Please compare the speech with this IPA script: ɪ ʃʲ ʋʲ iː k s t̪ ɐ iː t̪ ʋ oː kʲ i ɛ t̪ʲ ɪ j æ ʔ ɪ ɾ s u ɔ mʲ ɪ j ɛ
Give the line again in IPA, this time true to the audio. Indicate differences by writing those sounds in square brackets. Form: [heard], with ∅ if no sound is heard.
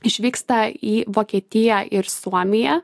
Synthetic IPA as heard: ɪ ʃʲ ʋʲ iː k s t̪ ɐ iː [∅] ʋ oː kʲ i ɛ t̪ʲ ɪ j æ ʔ ɪ ɾ s u ɔ mʲ ɪ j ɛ